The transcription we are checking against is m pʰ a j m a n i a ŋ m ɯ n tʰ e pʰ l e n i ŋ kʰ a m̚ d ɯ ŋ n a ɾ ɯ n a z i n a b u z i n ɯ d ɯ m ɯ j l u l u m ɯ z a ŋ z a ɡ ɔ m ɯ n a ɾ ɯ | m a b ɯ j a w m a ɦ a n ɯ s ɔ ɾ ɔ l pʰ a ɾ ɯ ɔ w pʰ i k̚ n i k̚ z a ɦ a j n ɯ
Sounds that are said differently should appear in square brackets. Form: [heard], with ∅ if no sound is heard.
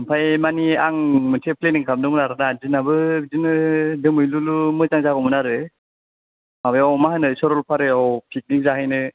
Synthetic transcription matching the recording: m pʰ a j m a n i a ŋ m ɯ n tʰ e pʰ l e n i ŋ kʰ a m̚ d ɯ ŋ n a ɾ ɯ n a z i n a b [ɯ] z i n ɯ d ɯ m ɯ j l u l u m ɯ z a ŋ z a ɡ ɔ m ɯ n a ɾ ɯ | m a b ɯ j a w m a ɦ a n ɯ s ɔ ɾ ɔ l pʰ a ɾ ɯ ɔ w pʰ i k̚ n i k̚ z a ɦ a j n ɯ